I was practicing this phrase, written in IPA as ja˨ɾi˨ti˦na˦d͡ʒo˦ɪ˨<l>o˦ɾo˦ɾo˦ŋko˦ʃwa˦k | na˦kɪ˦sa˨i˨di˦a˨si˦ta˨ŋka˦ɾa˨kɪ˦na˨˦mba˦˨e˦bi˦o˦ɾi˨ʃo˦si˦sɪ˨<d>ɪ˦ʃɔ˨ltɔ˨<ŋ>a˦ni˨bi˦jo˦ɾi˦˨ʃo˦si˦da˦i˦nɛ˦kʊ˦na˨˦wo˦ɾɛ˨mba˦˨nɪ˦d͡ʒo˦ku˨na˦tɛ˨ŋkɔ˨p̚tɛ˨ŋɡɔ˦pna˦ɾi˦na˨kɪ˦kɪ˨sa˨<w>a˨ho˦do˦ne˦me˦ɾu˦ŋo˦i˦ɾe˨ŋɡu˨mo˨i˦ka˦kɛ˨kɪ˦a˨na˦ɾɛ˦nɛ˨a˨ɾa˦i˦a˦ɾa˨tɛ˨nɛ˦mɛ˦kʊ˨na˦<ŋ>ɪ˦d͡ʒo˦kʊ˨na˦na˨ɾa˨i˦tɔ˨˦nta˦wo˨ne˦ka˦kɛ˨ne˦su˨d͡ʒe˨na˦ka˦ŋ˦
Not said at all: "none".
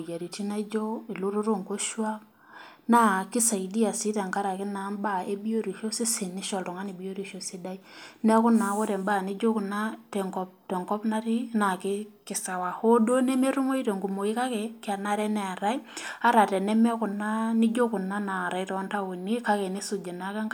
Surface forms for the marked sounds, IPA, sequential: l, n, ŋ, w, n

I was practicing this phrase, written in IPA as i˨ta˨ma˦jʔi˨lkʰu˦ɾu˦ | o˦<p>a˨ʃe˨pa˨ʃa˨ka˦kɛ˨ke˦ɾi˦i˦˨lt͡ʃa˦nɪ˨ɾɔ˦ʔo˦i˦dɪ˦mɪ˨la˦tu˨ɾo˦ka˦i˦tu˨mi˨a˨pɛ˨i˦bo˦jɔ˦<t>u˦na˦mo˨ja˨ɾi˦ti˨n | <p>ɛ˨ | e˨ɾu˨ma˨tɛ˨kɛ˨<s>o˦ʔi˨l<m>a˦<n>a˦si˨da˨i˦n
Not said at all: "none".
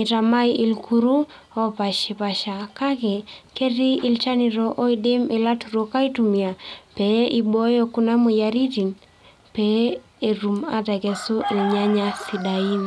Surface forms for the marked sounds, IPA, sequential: p, k, p, s, ɲ, ɲ

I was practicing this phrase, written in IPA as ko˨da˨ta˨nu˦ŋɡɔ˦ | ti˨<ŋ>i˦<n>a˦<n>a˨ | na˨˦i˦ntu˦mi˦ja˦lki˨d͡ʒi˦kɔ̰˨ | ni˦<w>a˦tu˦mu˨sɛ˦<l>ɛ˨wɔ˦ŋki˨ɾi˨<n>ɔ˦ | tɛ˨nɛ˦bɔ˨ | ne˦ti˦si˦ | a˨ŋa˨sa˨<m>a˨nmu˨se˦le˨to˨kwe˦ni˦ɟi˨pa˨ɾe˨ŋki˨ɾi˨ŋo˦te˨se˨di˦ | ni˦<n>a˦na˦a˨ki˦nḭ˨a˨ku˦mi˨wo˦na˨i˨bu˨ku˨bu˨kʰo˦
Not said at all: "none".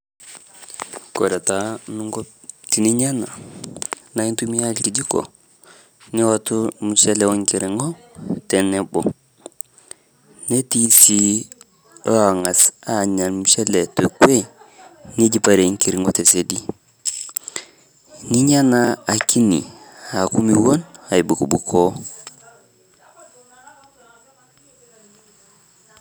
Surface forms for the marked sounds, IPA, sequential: n, ɲ, n, w, l, ŋ, ɲ, ɲ

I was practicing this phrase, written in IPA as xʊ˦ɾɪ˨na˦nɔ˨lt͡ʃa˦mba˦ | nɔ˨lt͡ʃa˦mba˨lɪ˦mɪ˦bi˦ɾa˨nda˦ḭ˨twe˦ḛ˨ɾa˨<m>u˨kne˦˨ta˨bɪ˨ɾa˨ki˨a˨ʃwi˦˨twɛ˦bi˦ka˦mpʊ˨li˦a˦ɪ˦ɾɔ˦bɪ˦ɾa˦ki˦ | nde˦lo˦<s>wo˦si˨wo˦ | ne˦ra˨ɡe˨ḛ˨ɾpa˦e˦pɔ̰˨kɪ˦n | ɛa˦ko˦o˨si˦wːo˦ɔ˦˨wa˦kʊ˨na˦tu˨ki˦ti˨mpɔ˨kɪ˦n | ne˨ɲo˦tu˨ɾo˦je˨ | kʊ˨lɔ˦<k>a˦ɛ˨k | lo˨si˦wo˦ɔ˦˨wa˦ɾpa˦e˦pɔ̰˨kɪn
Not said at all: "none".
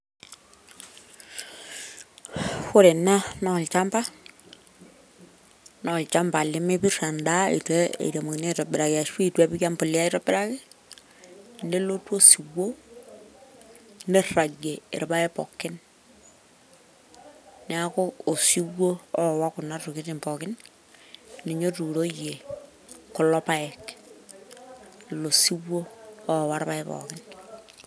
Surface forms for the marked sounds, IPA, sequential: m, t, p

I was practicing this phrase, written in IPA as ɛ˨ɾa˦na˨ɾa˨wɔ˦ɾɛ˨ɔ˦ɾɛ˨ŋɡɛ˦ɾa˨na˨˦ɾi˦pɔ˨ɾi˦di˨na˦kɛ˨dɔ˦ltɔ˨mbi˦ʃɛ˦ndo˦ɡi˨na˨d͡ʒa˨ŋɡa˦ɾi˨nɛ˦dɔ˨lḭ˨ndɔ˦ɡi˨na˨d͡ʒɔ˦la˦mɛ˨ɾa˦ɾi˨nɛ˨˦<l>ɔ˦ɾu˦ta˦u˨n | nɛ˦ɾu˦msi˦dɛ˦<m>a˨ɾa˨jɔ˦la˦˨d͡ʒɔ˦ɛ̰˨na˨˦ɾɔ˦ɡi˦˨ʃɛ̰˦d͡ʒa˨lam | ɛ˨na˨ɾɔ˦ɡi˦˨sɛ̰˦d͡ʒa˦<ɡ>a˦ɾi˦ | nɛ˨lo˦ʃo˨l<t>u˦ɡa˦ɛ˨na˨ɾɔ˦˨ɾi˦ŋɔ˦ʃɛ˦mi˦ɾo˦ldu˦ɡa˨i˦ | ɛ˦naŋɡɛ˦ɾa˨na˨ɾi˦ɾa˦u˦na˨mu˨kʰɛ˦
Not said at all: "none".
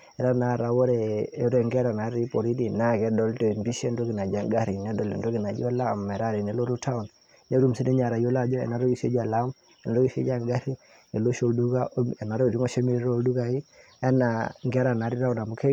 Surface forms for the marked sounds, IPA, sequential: l, ɲ, ɡ, d

